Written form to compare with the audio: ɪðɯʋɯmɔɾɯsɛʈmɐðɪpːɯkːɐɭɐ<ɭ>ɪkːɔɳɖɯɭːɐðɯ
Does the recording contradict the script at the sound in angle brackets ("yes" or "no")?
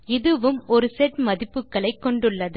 yes